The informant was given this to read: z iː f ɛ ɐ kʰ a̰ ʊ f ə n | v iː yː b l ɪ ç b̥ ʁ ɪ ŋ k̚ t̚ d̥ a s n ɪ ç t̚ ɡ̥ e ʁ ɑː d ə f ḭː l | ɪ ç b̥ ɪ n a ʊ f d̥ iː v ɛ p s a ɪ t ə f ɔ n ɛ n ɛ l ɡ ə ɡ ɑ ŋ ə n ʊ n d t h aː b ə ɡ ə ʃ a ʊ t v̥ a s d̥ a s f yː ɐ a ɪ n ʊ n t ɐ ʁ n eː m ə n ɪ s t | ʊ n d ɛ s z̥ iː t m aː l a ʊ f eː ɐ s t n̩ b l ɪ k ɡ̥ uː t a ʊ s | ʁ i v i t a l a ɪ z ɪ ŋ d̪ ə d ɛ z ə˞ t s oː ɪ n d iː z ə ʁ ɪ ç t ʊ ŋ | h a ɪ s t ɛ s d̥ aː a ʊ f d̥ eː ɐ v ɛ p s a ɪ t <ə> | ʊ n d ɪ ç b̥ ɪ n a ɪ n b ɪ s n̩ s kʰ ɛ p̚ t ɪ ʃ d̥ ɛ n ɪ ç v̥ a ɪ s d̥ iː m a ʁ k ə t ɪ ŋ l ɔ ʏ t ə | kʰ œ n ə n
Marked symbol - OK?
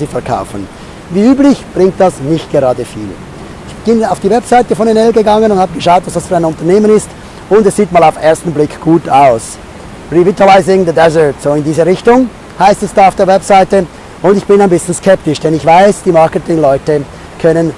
yes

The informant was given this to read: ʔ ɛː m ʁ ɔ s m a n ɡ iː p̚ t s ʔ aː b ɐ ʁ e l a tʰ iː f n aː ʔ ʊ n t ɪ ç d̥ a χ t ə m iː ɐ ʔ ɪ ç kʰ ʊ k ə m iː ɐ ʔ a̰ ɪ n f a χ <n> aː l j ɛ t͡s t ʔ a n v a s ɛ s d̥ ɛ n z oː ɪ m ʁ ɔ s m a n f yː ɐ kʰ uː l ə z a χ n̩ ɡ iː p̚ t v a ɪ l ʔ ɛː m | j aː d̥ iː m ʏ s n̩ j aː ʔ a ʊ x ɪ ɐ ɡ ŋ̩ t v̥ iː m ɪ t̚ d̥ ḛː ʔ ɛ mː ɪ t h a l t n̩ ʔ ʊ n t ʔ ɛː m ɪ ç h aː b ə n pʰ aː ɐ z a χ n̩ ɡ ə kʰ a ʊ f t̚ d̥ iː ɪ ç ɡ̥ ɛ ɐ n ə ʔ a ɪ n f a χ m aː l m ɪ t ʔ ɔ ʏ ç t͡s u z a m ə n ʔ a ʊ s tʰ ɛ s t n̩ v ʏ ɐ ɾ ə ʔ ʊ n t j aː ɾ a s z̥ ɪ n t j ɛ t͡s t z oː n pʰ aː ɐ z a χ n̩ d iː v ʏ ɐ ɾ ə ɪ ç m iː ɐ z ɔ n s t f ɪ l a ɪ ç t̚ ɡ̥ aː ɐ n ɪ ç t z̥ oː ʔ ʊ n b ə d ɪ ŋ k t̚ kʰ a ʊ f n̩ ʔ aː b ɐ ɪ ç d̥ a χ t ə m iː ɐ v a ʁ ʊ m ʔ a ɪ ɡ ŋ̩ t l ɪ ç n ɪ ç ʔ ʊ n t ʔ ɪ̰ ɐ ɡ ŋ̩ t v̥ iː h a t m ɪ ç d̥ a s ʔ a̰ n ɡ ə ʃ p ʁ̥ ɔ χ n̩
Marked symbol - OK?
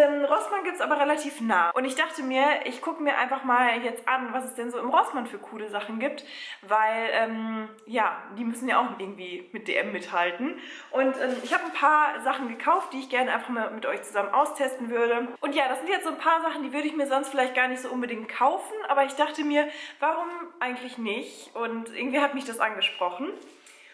no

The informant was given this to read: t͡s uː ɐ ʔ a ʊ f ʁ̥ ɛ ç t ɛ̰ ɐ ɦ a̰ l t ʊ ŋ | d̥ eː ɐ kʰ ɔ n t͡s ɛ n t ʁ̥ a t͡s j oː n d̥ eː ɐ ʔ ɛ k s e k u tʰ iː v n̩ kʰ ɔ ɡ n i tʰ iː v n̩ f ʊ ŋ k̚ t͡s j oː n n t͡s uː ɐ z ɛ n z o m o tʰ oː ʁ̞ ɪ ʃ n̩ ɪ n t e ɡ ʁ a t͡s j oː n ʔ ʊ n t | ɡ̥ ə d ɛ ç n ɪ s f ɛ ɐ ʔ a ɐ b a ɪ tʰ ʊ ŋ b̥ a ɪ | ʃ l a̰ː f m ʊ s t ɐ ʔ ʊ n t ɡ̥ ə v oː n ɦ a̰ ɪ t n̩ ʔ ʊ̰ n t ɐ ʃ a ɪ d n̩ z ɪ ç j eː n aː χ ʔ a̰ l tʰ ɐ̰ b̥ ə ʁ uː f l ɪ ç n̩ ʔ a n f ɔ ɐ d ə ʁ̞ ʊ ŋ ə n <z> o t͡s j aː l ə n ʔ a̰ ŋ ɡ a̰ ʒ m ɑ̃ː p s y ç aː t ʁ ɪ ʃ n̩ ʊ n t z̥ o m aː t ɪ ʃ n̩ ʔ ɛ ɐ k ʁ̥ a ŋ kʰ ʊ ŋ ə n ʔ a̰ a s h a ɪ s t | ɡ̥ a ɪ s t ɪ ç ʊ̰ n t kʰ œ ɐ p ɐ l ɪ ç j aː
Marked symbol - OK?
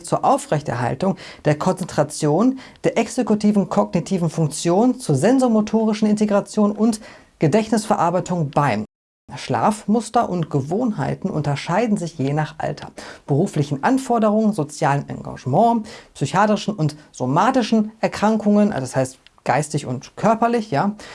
yes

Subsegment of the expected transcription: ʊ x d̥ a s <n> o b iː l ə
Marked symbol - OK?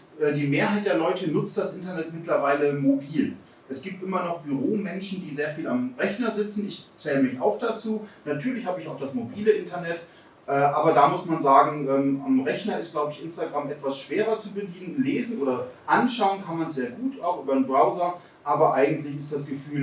no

